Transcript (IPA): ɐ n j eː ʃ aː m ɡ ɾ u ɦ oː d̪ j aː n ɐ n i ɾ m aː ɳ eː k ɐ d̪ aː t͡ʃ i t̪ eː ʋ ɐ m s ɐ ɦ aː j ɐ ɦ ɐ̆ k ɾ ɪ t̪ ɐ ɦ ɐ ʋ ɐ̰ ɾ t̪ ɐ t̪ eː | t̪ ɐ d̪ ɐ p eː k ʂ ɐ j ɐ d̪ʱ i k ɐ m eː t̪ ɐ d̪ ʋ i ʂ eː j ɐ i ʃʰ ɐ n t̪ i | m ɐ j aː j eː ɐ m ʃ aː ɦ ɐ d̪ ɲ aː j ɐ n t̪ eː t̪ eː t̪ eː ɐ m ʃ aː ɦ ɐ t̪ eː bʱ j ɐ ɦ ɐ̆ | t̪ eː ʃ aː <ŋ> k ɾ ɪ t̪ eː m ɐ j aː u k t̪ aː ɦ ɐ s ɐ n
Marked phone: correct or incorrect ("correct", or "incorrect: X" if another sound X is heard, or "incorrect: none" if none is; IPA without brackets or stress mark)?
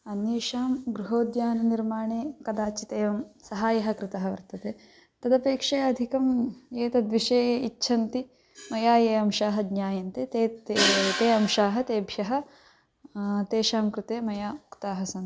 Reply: incorrect: m